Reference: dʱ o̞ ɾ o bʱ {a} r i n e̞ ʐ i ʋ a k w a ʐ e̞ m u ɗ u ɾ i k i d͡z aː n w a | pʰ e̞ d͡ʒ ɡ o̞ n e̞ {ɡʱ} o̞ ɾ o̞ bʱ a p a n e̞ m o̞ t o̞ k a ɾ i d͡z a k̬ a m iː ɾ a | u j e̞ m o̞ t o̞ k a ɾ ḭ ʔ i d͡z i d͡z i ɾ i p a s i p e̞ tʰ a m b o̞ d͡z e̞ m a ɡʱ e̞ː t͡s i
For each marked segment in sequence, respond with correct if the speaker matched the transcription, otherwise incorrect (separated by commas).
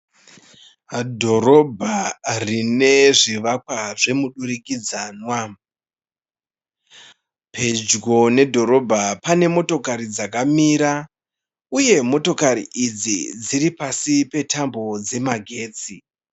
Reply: correct, incorrect